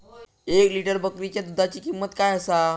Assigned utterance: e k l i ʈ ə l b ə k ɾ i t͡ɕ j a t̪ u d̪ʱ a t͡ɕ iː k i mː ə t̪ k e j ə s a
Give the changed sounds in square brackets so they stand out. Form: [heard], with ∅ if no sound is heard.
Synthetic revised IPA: e k l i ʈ ə [ɾ] b ə k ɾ i t͡ɕ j a [d̪] u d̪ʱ a t͡ɕ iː k i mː ə t̪ k [a] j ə s a